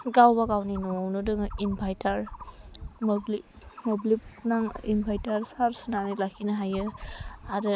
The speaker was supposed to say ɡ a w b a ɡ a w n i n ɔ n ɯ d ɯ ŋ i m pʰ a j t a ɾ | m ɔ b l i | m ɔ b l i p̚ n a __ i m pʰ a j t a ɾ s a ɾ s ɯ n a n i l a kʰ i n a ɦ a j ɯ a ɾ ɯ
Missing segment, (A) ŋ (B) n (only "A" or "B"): A